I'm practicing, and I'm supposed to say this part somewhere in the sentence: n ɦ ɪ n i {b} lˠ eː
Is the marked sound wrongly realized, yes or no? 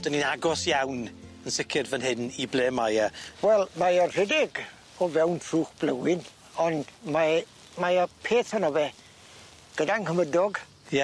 no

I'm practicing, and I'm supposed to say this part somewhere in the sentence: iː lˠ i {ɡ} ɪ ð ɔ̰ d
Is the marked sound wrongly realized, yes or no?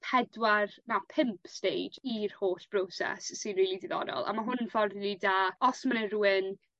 yes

